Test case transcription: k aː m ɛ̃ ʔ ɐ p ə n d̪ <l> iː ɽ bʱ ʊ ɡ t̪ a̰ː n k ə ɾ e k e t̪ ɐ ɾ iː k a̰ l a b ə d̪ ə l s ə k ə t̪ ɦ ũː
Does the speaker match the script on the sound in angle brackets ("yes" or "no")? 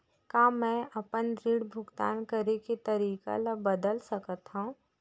no